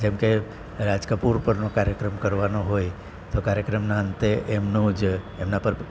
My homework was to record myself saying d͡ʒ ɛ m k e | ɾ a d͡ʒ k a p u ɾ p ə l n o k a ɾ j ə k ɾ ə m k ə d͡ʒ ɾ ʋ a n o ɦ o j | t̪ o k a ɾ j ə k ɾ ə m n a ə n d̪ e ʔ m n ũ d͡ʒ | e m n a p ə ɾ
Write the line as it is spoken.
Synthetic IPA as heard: d͡ʒ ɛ m k e | ɾ a d͡ʒ k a p u ɾ p ə ɾ n o k a ɾ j ə k ɾ ə m k ə ɾ ʋ a n o ɦ o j | t̪ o k a ɾ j ə k ɾ ə m n a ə n t̪ e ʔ m n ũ d͡ʒ | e m n a p ə ɾ